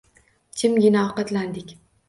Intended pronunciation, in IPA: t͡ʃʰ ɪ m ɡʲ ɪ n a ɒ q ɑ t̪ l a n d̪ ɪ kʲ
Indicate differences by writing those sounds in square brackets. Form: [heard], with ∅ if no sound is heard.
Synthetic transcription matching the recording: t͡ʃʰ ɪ m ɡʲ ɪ n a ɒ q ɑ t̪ l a n d̪ ɪ kʲ